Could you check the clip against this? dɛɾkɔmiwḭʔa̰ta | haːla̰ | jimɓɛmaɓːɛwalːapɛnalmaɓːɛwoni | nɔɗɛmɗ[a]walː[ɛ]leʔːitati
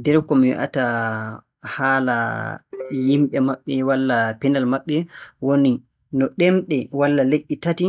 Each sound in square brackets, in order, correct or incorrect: incorrect: ɛ, incorrect: a

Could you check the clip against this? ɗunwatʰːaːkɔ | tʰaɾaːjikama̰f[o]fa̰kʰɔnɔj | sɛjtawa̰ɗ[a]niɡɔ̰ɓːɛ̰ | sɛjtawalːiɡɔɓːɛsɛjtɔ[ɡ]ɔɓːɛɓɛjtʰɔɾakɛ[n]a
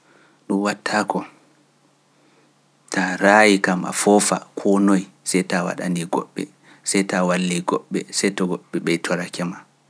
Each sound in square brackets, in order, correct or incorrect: incorrect: ɔ, correct, correct, incorrect: m

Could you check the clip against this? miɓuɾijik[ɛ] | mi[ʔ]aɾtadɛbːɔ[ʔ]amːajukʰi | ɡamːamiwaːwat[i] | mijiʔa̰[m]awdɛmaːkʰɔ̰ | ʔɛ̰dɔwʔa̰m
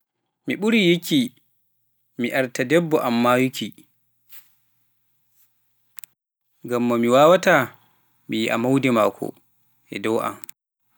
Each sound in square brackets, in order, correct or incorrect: incorrect: i, correct, correct, incorrect: a, correct

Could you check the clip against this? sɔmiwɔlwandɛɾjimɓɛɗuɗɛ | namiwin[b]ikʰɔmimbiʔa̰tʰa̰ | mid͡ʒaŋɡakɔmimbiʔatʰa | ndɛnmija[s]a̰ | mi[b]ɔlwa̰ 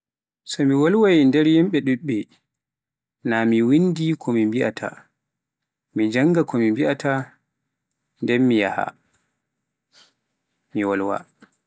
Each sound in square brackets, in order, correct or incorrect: incorrect: d, incorrect: h, incorrect: w

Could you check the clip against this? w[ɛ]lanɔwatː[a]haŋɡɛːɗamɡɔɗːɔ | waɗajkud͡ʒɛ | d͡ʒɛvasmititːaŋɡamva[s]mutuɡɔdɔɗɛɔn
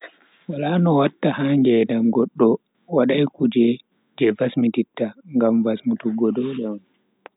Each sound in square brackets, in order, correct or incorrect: incorrect: a, correct, correct

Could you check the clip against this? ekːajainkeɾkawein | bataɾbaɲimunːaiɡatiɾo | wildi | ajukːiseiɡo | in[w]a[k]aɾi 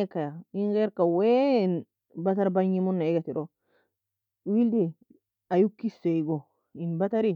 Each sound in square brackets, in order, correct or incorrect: incorrect: b, incorrect: t

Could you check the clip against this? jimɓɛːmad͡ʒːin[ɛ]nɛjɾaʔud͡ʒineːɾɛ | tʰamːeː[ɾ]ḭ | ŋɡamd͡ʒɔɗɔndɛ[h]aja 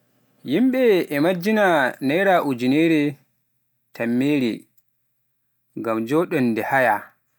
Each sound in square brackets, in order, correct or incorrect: incorrect: a, correct, correct

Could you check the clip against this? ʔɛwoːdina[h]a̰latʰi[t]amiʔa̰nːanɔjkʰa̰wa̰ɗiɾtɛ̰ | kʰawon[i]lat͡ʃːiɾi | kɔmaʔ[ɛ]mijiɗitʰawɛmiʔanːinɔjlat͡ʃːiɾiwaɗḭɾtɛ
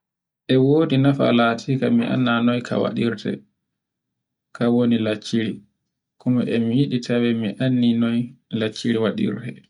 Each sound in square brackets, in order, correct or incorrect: incorrect: f, incorrect: k, correct, correct

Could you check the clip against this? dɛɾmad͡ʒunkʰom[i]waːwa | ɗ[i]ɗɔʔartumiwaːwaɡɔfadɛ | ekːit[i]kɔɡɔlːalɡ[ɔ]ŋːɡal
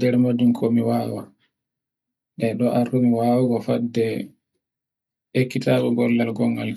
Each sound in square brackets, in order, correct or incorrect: correct, incorrect: ɛ, incorrect: a, correct

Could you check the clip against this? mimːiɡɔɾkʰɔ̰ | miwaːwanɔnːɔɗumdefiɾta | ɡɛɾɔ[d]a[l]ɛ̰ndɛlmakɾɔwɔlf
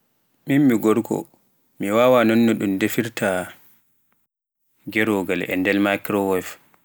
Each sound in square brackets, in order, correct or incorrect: incorrect: ɡ, correct

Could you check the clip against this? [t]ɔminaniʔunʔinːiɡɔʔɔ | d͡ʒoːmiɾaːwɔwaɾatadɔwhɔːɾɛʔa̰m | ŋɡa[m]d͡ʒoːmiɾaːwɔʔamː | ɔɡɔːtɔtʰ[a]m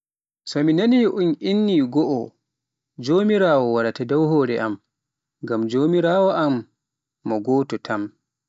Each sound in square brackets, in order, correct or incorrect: incorrect: s, correct, correct

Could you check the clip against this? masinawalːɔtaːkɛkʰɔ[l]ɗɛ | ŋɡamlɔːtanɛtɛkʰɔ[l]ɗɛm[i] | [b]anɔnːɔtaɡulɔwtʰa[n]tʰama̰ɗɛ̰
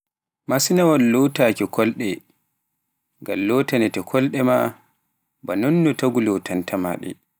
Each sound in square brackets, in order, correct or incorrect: correct, correct, incorrect: a, correct, correct

